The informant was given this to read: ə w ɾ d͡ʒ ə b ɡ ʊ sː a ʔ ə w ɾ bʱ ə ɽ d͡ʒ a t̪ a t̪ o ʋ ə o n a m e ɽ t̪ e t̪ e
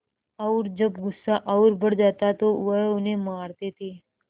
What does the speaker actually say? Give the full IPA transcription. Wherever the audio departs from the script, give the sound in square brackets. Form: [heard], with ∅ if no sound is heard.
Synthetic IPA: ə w ɾ d͡ʒ ə b ɡ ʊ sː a ʔ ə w ɾ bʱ ə ɽ d͡ʒ a t̪ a t̪ o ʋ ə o n [e] m [a] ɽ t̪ e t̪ e

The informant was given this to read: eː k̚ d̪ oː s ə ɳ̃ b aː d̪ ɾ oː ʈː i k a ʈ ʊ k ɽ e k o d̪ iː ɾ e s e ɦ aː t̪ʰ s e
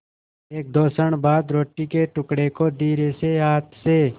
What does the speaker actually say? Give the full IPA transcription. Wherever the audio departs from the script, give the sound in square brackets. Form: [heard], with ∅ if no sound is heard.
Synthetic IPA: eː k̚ d̪ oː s ə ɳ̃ b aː d̪ ɾ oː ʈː i k [e] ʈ ʊ k ɽ e k o d̪ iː ɾ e s e ɦ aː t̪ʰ s e

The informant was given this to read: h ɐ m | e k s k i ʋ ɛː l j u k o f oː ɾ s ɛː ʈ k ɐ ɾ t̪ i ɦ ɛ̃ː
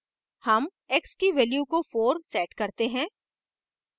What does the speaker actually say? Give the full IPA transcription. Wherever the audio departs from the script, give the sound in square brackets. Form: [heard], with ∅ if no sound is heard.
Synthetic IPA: h ɐ m | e k s k i ʋ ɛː l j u k o f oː ɾ s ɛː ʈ k ɐ ɾ t̪ [e] ɦ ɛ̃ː

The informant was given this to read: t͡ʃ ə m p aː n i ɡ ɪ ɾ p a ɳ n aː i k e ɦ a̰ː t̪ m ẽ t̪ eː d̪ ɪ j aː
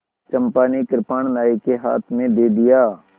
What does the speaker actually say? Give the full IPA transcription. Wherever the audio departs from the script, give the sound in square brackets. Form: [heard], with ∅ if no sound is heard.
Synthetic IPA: t͡ʃ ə m p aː n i [k] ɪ ɾ p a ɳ n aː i k e ɦ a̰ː [t̪ʰ] m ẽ [d̪] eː d̪ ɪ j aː

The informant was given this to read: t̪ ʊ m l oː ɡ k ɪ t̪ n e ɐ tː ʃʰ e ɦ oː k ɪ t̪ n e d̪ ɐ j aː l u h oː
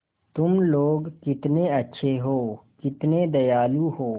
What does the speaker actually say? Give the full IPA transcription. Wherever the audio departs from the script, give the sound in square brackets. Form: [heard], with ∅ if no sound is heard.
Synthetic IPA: t̪ ʊ m l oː ɡ k ɪ t̪ n e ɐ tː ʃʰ e ɦ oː k ɪ t̪ n e d̪ ɐ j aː l u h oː

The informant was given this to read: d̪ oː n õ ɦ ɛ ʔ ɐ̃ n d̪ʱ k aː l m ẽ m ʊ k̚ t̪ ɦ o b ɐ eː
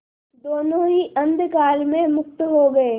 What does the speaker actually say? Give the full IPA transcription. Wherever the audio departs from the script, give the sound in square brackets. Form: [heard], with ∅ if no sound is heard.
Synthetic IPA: d̪ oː n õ ɦ [i] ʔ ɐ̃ n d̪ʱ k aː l m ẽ m ʊ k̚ t̪ ɦ o [ɡ] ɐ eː

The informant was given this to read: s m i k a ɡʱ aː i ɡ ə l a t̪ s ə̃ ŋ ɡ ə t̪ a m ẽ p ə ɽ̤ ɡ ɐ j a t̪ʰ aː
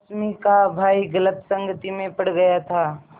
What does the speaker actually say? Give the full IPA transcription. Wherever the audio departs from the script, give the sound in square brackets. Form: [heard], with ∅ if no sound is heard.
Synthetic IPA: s m i k a [bʱ] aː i ɡ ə l [ə] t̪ s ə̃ ŋ ɡ ə t̪ [i] m ẽ p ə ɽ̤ ɡ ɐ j a t̪ʰ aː

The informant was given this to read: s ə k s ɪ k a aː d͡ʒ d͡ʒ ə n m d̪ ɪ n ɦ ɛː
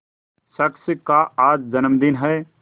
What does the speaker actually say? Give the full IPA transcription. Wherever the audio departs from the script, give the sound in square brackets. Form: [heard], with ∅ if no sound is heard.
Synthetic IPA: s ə k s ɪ k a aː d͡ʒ d͡ʒ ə n m d̪ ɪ n ɦ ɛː

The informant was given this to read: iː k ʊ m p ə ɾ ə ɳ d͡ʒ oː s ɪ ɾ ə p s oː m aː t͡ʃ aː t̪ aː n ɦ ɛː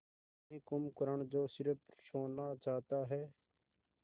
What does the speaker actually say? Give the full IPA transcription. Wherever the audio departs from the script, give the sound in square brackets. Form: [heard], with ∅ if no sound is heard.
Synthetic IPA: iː k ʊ m [k] ə ɾ ə ɳ d͡ʒ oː s ɪ ɾ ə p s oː [n] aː t͡ʃ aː t̪ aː [∅] ɦ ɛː

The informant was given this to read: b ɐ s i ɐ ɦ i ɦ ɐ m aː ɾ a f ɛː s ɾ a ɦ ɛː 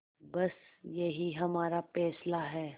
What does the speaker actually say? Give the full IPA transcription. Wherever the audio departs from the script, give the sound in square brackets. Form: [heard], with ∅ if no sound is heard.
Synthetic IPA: b ɐ s [j] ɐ ɦ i ɦ ɐ m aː ɾ a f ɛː s [l] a ɦ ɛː

